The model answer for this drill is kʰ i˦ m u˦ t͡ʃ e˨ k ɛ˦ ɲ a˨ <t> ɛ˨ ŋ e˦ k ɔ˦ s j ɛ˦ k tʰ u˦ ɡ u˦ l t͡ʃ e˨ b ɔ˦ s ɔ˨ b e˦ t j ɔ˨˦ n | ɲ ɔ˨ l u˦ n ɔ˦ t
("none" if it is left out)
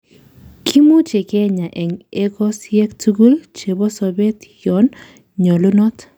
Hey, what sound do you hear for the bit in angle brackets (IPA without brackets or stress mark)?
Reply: ʔ